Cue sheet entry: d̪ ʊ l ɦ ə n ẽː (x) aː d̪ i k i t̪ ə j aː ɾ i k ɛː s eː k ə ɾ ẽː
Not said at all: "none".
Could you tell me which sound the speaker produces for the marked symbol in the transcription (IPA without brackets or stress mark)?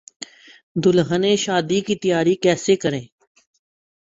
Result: ʃ